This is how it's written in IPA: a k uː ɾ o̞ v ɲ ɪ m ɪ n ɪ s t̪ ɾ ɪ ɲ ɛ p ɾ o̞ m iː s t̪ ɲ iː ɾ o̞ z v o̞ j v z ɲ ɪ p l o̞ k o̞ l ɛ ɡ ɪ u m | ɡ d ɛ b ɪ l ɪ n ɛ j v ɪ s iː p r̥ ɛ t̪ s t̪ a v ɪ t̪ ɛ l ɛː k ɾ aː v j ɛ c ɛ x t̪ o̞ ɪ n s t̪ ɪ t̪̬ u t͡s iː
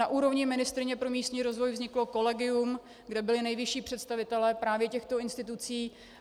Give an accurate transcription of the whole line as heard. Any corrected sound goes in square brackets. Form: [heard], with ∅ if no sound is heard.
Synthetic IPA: a [ʔ] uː ɾ o̞ v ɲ ɪ m ɪ n ɪ s t̪ ɾ ɪ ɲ ɛ p ɾ o̞ m iː s t̪ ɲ iː ɾ o̞ z v o̞ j v z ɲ ɪ [k] l o̞ k o̞ l ɛ ɡ ɪ u m | ɡ d ɛ b ɪ l ɪ n ɛ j v ɪ [ʃ] iː p r̥ ɛ t̪ s t̪ a v ɪ t̪ ɛ l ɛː [p] ɾ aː v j ɛ c ɛ x t̪ o̞ ɪ n s t̪ ɪ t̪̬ u t͡s iː